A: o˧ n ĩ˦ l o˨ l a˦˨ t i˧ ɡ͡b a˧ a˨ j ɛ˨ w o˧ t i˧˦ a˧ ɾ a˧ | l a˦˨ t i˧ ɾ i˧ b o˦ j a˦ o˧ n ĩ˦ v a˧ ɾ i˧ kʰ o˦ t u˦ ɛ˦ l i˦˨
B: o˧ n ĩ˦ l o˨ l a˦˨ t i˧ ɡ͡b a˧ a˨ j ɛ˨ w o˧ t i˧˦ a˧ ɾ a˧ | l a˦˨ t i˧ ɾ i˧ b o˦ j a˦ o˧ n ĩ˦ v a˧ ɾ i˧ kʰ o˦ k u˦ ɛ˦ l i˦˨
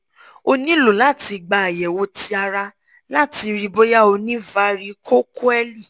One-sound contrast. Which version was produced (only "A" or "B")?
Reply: B